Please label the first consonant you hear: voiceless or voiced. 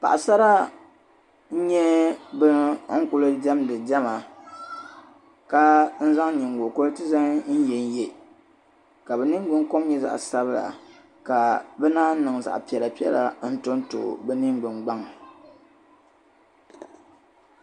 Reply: voiceless